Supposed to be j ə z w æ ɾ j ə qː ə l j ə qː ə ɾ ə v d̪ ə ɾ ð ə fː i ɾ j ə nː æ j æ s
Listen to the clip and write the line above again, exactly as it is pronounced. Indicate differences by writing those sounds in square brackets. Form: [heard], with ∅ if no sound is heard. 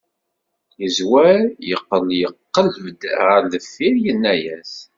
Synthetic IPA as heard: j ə z w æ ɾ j ə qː ə l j ə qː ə [l] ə v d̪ ə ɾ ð ə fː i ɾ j ə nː æ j æ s